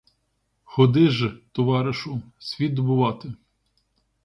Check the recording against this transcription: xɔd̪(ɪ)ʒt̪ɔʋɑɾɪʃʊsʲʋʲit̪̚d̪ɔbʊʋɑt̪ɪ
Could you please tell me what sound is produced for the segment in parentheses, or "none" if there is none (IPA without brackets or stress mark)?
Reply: ɪ